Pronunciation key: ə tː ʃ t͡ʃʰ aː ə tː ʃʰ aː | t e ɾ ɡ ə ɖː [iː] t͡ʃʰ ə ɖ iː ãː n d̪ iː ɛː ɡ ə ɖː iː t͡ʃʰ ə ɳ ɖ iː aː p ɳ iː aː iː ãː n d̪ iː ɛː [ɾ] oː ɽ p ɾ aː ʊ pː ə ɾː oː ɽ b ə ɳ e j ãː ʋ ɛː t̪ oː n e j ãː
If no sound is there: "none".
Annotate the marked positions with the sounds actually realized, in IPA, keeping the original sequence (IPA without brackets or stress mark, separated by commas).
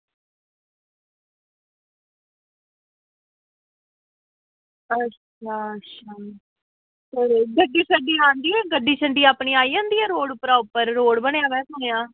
iː, ɾ